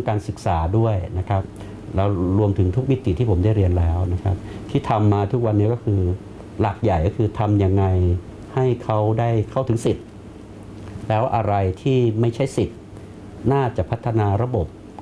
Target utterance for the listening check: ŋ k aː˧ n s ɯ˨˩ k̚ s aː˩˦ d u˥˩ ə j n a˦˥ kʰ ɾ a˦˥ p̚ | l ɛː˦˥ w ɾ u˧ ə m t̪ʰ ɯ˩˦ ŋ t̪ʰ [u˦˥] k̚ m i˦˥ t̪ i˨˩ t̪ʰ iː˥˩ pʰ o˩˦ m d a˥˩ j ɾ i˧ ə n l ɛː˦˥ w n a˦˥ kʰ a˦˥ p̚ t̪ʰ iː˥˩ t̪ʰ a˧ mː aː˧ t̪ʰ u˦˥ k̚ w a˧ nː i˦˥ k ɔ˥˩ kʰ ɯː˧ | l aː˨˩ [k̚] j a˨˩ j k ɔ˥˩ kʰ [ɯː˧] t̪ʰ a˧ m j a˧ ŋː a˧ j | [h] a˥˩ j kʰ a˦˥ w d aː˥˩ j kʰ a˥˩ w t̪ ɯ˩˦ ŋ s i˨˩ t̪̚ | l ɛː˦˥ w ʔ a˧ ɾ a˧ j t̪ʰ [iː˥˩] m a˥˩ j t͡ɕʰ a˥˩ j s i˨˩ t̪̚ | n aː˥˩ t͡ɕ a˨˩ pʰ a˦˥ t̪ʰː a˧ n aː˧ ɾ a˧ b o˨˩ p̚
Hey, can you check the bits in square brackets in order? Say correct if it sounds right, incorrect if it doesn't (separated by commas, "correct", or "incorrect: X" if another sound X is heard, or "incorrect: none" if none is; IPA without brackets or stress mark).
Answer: correct, correct, correct, correct, correct